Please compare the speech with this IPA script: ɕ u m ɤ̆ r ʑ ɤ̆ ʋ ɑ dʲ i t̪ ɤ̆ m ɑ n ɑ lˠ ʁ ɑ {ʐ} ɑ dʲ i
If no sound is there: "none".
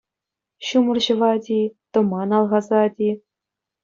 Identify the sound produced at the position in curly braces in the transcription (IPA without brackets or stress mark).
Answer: z